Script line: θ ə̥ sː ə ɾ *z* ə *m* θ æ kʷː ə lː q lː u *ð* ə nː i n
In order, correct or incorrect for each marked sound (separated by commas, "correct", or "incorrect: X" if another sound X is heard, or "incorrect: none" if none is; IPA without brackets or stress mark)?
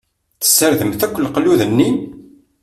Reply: incorrect: ð, correct, correct